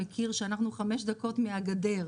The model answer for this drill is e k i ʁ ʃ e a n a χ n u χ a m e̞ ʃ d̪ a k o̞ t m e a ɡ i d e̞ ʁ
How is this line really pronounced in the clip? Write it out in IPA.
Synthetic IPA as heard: e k i ʁ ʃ e a n a χ n u χ a m e̞ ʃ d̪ a k o̞ t m e a ɡ a d e̞ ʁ